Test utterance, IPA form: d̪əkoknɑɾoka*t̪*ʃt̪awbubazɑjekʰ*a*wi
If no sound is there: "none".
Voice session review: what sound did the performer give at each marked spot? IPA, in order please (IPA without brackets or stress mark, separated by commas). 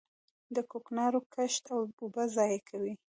none, a